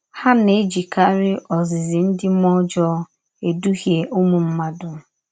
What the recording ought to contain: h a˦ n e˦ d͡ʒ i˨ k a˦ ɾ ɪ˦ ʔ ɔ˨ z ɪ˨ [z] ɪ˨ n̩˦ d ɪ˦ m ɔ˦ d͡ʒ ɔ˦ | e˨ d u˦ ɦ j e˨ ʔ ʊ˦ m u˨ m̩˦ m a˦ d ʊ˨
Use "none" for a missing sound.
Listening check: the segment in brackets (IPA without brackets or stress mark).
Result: z